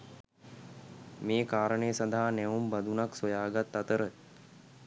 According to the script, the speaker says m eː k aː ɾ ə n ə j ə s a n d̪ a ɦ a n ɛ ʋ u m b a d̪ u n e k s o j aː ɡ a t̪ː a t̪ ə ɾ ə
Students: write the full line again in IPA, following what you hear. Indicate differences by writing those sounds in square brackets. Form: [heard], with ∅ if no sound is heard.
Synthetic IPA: m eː k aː ɾ ə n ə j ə s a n d̪ a ɦ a n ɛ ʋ u m b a d̪ u n [a] k s o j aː ɡ a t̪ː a t̪ ə ɾ ə